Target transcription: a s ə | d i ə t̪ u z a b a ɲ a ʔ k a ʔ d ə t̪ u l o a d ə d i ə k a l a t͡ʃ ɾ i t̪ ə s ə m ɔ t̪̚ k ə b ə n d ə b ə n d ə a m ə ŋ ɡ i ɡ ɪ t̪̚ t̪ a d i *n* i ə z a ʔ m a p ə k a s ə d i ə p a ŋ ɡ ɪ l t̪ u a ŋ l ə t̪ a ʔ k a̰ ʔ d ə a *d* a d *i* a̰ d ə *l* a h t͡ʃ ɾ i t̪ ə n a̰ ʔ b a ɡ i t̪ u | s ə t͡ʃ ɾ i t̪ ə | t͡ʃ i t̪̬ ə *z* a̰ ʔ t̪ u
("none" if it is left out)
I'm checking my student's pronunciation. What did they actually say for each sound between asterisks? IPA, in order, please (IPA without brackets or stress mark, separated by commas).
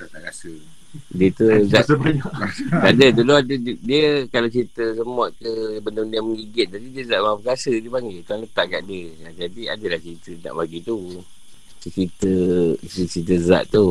d, d͡ʒ, i, l, z